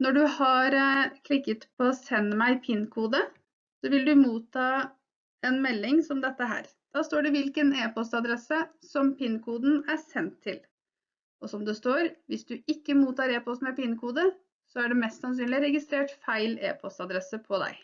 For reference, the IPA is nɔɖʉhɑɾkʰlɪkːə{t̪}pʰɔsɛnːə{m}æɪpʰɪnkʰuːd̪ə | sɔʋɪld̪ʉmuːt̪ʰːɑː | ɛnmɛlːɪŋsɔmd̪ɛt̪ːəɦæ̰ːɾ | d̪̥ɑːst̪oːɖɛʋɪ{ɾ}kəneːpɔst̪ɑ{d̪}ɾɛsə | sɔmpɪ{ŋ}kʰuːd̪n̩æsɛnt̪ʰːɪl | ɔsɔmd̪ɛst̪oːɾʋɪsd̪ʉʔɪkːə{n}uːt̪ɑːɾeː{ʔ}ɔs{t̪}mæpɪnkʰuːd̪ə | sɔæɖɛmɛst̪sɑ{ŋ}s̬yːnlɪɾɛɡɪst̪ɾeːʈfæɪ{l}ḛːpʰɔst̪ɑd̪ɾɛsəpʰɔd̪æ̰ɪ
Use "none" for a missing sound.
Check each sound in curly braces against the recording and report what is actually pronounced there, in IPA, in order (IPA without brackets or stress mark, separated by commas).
t̪, m, l, d̪, n, m, p, t̪, n, l